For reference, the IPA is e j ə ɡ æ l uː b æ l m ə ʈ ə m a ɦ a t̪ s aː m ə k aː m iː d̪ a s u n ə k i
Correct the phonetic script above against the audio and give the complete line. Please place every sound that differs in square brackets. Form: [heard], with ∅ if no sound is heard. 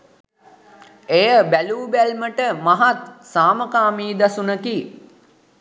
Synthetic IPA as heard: e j ə [b] æ l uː b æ l m ə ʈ ə m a ɦ a t̪ s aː m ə k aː m iː d̪ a s u n ə k i